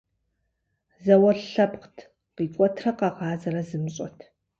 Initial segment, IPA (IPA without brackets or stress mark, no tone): z